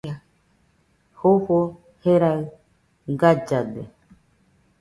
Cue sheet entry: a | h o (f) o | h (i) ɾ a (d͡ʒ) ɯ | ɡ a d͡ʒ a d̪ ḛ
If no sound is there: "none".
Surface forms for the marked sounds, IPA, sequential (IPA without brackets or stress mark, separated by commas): h, e, none